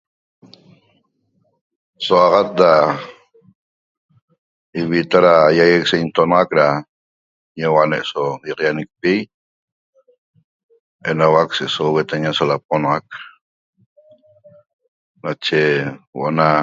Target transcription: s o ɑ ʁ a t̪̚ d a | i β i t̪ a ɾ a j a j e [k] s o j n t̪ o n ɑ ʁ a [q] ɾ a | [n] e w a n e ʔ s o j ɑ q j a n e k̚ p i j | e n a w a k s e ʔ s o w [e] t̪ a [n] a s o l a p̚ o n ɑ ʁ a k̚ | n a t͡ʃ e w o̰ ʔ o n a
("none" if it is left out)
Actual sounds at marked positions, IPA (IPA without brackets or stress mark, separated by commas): k, k, ɲ, e, ɲ